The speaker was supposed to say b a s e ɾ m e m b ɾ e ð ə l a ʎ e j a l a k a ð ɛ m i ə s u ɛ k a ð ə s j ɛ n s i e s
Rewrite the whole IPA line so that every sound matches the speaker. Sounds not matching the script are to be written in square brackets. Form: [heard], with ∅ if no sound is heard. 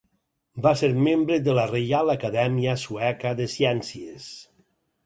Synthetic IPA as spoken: b a s e ɾ m e m b ɾ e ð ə l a [r] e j a l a k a ð ɛ m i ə s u ɛ k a ð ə s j ɛ n s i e s